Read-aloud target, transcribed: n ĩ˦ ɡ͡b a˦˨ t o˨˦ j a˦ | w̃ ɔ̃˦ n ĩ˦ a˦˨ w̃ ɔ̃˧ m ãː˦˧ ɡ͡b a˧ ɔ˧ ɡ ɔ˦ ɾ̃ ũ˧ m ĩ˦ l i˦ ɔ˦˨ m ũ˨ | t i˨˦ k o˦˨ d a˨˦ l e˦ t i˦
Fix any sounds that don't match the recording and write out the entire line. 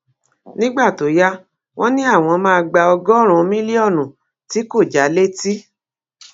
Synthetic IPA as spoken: n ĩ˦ ɡ͡b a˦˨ t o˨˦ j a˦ | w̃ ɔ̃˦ n ĩ˦ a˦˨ w̃ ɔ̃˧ m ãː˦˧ ɡ͡b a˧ ɔ˧ ɡ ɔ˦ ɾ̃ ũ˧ m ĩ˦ l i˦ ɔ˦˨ n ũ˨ | t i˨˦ k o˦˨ d͡ʒ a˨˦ l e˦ t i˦

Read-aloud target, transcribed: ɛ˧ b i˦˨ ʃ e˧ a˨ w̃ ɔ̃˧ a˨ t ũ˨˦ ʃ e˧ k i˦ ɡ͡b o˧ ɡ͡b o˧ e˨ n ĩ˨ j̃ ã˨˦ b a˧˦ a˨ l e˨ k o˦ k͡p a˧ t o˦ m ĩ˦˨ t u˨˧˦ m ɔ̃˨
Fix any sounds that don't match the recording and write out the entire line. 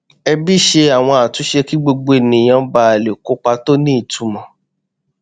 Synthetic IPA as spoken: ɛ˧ b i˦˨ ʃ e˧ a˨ w̃ ɔ̃˧ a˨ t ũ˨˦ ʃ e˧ k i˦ ɡ͡b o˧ ɡ͡b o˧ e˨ n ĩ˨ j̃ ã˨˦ b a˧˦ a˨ l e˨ k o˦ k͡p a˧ t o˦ n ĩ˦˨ t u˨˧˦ m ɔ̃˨

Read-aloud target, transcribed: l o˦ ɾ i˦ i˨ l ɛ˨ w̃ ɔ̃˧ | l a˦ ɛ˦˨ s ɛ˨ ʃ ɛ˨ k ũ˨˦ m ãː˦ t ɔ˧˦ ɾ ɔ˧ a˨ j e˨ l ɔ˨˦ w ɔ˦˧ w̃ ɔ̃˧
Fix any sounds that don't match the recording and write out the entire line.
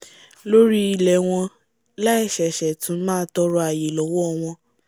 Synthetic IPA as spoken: l o˦ ɾ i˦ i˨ l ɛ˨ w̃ ɔ̃˧ | l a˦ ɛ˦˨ ʃ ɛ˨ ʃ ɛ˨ t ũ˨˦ m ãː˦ t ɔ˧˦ ɾ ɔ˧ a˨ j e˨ l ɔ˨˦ w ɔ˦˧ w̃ ɔ̃˧

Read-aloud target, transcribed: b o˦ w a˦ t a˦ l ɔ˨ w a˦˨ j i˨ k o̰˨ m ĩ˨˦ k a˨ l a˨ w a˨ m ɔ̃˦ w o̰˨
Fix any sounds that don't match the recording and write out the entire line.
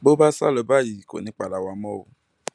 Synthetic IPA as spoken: b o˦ b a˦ s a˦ l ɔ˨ b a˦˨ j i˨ k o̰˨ n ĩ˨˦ k͡p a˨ l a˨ w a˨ m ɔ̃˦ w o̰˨

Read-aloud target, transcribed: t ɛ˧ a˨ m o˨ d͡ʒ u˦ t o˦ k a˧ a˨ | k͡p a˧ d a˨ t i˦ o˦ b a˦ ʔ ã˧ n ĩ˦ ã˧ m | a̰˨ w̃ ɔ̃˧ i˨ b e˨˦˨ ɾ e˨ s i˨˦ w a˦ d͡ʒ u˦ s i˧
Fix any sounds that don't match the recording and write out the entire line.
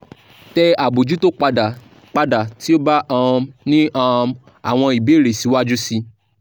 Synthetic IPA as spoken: t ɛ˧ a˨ b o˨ d͡ʒ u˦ t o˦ k͡p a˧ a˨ | k͡p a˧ d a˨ t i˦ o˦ b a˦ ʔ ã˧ n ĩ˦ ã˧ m | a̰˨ w̃ ɔ̃˧ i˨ b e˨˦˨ ɾ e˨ s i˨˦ w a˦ d͡ʒ u˦ s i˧

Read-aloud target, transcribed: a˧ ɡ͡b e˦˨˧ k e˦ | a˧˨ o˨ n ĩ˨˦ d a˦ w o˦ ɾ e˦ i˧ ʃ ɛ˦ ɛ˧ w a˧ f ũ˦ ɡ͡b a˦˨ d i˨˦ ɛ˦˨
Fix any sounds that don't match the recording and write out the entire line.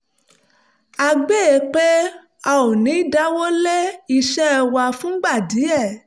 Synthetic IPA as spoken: a˧ ɡ͡b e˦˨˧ k͡p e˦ | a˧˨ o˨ n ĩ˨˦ d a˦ w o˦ l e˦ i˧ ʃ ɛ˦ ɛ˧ w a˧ f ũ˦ ɡ͡b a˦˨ d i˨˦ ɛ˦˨

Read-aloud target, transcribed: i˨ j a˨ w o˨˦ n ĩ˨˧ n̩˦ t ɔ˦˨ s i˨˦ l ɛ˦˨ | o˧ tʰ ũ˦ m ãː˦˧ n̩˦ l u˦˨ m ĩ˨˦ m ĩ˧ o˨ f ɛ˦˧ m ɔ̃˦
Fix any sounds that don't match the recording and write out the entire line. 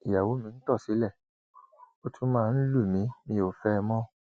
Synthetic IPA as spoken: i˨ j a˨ w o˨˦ m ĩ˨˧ n̩˦ t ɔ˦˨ s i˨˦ l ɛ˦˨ | o˧ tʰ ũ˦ m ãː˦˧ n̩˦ l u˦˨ m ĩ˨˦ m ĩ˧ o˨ f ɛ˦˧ m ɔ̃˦

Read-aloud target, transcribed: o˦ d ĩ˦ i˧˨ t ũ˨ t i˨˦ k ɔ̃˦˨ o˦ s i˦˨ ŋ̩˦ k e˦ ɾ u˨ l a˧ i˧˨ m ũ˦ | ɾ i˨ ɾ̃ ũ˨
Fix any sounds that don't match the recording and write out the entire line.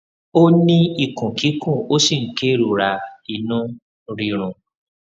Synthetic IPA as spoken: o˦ n ĩ˦ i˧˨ k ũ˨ k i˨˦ k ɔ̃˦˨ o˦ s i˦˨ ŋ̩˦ k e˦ ɾ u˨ ɾ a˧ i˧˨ n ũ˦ | ɾ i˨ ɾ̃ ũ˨

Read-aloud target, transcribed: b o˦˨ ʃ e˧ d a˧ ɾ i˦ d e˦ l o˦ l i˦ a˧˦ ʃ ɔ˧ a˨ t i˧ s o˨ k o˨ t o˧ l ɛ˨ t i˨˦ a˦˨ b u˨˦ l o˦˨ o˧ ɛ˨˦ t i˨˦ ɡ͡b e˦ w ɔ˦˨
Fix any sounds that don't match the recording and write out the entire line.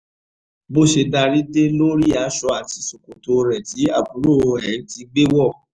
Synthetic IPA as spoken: b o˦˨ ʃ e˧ d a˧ ɾ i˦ d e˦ l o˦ ɾ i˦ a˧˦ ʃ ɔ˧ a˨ t i˧ s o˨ k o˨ t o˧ ɾ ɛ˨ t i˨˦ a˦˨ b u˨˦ ɾ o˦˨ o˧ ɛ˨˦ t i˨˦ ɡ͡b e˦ w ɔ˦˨

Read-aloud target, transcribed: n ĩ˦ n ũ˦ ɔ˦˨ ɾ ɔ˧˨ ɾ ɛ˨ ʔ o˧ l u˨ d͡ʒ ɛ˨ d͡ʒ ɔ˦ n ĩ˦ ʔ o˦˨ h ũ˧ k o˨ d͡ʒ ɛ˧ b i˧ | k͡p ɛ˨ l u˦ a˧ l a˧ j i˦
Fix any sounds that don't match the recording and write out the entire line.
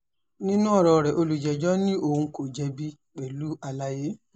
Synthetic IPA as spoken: n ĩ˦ n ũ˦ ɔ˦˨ ɾ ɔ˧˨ ɾ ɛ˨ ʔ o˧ l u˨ d͡ʒ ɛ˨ d͡ʒ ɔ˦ n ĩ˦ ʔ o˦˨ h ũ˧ k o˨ d͡ʒ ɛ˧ b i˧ | k͡p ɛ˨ l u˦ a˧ l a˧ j e˦

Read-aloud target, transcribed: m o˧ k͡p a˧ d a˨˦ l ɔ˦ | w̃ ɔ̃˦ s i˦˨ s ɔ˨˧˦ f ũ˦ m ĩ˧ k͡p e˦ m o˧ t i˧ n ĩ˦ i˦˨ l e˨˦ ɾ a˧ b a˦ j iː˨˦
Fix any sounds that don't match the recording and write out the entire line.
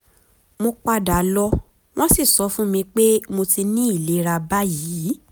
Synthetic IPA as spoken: m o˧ k͡p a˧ d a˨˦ l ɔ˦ | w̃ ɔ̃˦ s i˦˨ s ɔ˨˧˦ f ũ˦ m ĩ˧ k͡p e˦ m o˧ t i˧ n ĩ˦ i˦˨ l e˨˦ ɾ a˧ b a˦ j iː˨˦

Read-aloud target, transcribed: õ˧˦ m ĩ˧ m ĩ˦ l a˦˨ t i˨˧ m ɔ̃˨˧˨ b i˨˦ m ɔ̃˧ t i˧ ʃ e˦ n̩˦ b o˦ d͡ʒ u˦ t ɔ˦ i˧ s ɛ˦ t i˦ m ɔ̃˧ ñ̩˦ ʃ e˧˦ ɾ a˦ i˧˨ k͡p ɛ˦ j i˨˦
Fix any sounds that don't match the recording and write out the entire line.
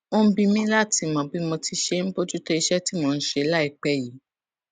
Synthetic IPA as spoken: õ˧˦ b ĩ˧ m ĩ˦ l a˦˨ t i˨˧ m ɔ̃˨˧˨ b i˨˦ m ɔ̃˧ t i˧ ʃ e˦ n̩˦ b o˦ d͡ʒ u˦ t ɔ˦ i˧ ʃ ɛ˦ t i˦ m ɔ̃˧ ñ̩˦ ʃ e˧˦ l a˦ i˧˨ k͡p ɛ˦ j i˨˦

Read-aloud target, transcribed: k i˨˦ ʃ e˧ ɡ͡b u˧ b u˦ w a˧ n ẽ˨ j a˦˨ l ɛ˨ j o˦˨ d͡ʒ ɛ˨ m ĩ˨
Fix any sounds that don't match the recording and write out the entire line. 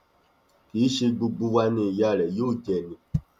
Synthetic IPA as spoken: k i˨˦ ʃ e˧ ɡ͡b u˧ ɡ͡b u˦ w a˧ n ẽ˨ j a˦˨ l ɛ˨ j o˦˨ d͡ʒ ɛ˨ n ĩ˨

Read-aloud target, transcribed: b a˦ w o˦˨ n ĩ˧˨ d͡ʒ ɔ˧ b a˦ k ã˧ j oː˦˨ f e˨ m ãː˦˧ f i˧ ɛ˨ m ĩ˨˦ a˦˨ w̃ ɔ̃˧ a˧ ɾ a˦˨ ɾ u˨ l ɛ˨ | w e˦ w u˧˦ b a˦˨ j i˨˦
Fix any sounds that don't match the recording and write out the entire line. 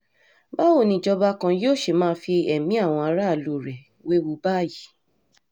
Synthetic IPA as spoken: b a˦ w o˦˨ n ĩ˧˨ d͡ʒ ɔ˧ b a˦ k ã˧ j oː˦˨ ʃ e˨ m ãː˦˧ f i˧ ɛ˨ m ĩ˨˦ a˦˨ w̃ ɔ̃˧ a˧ ɾ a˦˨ l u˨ ɾ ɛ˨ | w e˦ w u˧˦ b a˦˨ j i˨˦

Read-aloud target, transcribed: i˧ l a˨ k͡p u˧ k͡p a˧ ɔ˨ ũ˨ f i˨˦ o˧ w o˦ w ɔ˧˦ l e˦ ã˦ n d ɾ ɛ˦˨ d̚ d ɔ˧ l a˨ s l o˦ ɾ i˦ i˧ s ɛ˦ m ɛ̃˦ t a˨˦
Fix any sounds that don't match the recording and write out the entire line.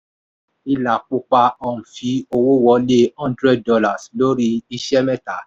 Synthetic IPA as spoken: i˧ l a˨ k͡p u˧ k͡p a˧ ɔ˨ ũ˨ f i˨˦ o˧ w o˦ w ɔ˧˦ l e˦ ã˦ n d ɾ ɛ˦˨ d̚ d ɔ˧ l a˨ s l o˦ ɾ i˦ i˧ ʃ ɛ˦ m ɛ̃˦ t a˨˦

